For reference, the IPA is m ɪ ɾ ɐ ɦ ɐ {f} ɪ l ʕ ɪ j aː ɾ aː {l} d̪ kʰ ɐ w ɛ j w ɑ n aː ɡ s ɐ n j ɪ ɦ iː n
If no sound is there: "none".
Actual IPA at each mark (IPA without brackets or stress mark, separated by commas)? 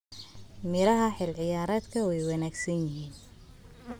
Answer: ħ, none